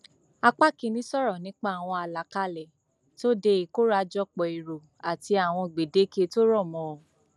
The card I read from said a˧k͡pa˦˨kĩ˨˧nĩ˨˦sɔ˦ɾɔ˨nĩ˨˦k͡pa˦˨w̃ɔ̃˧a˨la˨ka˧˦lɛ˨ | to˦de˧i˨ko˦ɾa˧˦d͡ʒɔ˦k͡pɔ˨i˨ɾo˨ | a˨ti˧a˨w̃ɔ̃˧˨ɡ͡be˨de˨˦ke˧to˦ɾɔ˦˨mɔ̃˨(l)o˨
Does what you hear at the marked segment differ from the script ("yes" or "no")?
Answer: yes